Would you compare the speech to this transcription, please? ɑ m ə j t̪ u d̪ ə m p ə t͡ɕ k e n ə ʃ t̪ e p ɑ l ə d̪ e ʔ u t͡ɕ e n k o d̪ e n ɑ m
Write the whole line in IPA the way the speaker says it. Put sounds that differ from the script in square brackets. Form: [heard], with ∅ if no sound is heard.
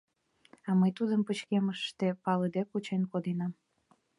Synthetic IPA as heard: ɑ m ə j t̪ u d̪ ə m p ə t͡ɕ k e [m] ə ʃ t̪ e p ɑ l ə d̪ e [k] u t͡ɕ e n k o d̪ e n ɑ m